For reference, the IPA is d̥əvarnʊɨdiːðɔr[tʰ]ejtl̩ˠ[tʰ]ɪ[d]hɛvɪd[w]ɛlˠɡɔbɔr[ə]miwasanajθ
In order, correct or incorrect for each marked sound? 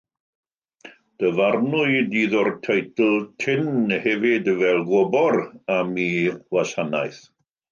correct, correct, incorrect: n, incorrect: v, incorrect: a

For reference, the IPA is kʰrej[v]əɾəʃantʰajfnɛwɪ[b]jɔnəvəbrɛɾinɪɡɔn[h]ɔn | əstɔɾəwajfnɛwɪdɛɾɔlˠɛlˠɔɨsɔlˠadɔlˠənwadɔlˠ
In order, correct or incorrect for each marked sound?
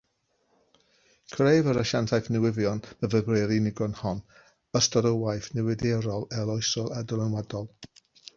correct, incorrect: v, correct

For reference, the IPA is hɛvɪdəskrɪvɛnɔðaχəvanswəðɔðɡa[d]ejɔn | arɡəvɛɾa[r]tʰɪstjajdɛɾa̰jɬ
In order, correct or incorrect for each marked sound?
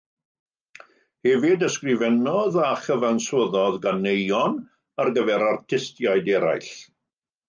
incorrect: n, correct

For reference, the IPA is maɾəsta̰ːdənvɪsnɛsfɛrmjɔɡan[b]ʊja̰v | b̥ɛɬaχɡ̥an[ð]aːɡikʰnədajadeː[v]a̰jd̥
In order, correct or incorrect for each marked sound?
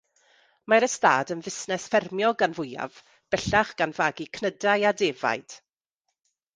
incorrect: v, incorrect: v, correct

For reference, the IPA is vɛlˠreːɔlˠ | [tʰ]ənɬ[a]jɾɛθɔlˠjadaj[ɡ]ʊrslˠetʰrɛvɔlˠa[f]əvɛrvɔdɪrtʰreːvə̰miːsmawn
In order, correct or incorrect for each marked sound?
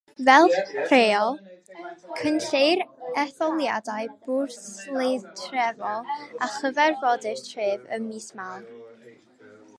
incorrect: kʰ, incorrect: e, incorrect: b, incorrect: χ

